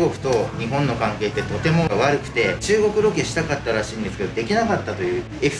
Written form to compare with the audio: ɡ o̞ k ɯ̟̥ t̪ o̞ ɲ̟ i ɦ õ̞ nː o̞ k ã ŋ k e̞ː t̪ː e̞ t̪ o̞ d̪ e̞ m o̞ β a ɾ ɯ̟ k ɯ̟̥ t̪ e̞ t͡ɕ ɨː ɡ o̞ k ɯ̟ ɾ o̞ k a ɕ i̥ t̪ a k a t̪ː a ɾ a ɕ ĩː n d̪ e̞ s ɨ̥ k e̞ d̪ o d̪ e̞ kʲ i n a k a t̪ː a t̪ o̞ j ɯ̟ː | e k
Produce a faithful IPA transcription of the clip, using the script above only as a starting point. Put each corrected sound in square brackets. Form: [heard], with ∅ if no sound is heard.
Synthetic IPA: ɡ o̞ k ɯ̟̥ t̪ o̞ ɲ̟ i ɦ õ̞ nː o̞ k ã ŋ k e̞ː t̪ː e̞ t̪ o̞ [t̪] e̞ m o̞ β a ɾ ɯ̟ k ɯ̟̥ t̪ e̞ t͡ɕ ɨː ɡ o̞ k ɯ̟ ɾ o̞ k [e] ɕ i̥ t̪ a k a t̪ː a ɾ a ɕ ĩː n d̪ e̞ s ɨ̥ k e̞ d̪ o d̪ e̞ kʲ i n a k a t̪ː a t̪ o̞ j ɯ̟ː | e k